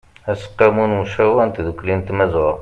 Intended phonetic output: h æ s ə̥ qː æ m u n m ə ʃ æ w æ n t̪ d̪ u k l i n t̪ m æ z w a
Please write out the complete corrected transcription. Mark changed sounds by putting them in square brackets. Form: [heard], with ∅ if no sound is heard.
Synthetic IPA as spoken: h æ s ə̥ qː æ m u n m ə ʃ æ w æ n t̪ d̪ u k l i n t̪ m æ z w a